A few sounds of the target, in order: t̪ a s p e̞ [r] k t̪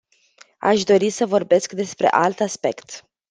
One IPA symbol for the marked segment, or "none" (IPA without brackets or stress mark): none